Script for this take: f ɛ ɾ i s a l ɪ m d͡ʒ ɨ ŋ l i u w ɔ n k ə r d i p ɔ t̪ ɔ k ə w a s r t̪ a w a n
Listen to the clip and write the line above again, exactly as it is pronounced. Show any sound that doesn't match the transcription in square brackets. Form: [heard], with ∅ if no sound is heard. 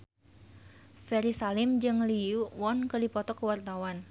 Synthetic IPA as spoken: f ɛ ɾ i s a l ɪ m d͡ʒ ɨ ŋ l i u w ɔ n k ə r d i p ɔ t̪ ɔ k ə w a [∅] r t̪ a w a n